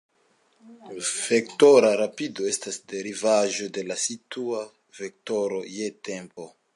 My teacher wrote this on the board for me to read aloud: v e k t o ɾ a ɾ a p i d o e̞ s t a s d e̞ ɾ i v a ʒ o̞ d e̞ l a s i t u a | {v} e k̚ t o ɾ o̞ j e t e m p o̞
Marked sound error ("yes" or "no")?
no